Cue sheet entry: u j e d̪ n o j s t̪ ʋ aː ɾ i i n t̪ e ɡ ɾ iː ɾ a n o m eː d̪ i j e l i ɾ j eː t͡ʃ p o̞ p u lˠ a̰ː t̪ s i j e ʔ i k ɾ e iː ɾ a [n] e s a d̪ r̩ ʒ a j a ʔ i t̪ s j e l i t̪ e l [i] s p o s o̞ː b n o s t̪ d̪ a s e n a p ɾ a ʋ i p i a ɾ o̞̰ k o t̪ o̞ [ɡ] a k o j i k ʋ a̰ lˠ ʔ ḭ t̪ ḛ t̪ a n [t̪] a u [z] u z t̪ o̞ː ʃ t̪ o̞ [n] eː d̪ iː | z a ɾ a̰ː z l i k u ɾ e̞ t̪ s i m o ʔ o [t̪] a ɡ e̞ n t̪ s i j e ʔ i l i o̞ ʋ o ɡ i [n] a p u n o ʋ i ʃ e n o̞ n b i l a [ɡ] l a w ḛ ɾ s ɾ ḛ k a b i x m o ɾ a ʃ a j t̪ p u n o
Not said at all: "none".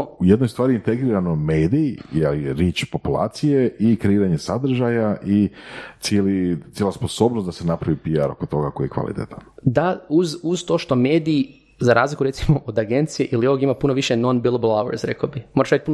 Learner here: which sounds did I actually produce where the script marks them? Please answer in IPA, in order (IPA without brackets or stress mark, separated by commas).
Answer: ɲ, a, ɡ, d̪, z, m, d̪, m, b